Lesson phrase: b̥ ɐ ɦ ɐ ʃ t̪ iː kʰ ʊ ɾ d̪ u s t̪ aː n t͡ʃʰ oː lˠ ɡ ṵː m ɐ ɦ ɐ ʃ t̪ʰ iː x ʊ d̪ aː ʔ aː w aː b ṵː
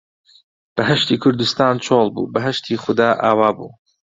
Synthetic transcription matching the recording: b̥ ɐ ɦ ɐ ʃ t̪ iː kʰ ʊ ɾ d̪ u s t̪ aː n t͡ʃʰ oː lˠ b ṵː b ɐ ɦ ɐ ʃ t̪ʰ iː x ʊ d̪ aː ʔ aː w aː b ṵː

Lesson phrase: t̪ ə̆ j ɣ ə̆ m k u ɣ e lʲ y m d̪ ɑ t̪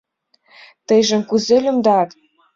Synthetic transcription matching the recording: t̪ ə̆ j ʒ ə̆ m k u z e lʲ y m d̪ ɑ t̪

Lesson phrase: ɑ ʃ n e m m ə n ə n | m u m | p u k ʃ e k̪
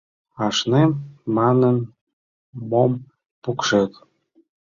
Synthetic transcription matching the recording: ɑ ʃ n e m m ɑ n ə n | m o m | p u k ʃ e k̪

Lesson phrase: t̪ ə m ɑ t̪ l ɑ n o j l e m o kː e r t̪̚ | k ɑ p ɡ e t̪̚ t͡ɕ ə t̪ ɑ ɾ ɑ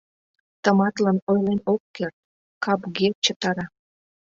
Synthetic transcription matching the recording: t̪ ə m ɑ t̪ l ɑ n o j l e n o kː e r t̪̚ | k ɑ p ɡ e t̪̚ t͡ɕ ə t̪ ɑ ɾ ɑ

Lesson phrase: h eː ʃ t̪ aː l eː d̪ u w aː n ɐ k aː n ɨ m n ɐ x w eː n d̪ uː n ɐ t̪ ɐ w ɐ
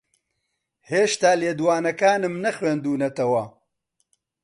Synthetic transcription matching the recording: h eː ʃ t̪ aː l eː d̪ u w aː n ɐ k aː n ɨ m n ɐ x w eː n d̪ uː n ɐ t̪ ɐ w ɐ

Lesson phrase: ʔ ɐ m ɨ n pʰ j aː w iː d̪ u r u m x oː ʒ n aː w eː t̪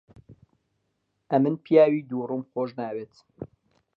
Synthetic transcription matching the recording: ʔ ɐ m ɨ n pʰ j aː w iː d̪ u r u m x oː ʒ n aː w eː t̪

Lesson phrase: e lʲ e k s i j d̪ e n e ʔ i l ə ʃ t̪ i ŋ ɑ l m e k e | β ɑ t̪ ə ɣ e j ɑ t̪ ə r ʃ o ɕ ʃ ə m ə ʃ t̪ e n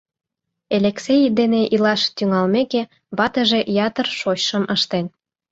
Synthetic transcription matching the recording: e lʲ e k s e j d̪ e n e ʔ i l ɑ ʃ t̪ y ŋ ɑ l m e k e | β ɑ t̪ ə ʒ e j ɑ t̪ ə r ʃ o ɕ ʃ ə m ə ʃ t̪ e n

